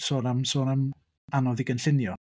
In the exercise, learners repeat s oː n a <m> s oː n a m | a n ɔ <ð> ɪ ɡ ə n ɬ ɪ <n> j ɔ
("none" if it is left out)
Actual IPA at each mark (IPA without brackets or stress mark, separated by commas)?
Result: m, ð, n